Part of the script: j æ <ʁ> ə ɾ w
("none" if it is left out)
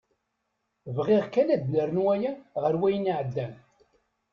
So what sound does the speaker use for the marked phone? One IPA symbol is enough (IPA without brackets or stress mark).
ʁ